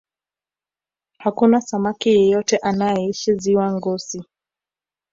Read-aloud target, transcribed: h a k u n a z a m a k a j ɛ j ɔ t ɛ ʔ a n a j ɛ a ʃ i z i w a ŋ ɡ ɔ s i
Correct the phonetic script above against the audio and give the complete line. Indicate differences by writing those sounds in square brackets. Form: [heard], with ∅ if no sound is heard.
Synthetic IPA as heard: h a k u n a [s] a m a k [i] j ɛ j ɔ t ɛ ʔ a n a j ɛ [i] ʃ i z i w a ŋ ɡ ɔ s i